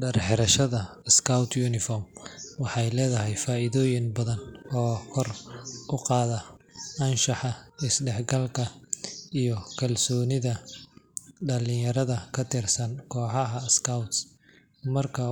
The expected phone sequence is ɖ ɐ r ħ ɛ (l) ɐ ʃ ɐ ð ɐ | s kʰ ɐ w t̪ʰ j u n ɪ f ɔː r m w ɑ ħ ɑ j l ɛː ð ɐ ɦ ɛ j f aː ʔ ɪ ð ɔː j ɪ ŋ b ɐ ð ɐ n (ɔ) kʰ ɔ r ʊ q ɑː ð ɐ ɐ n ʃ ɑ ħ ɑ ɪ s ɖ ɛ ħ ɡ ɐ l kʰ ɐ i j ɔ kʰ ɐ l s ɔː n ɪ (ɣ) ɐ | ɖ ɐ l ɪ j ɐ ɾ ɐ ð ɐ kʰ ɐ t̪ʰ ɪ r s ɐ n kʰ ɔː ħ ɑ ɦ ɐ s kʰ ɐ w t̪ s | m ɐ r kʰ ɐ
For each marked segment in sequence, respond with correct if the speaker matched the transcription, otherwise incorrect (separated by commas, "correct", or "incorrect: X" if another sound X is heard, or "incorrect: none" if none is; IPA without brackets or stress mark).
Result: incorrect: ɾ, incorrect: ɔː, incorrect: ð